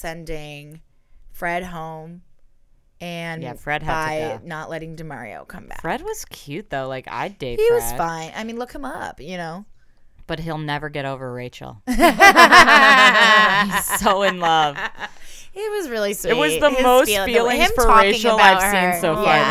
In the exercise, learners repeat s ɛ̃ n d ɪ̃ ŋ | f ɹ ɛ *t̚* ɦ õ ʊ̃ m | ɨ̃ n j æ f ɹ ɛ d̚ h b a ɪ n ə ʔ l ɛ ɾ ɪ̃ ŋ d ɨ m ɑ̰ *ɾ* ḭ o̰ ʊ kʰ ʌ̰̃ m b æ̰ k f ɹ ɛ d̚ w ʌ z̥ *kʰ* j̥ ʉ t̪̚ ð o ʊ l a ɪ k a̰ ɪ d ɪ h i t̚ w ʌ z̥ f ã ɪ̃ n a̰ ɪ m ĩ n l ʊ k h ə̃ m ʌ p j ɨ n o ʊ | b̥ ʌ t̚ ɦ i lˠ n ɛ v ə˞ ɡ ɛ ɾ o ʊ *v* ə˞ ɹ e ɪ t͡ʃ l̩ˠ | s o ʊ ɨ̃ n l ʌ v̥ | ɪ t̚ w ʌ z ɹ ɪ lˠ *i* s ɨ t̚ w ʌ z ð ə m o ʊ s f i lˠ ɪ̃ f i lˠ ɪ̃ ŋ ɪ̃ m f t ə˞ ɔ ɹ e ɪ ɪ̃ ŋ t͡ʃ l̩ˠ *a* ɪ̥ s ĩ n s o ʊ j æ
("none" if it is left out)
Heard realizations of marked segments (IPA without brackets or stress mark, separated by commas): d̚, ɹ, kʰ, v, i, a